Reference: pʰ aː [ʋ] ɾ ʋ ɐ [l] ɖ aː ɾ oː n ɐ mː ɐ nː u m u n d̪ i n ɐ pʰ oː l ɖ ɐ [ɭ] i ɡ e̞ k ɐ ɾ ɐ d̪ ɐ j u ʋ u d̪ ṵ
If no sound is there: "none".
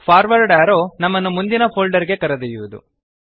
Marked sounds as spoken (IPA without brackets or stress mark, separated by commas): none, ɾ, ɾ